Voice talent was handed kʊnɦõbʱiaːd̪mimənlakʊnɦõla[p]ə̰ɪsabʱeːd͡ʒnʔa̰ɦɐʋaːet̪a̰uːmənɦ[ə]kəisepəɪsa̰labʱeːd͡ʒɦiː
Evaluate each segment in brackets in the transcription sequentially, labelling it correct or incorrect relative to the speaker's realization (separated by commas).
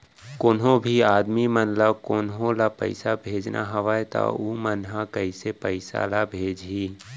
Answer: correct, incorrect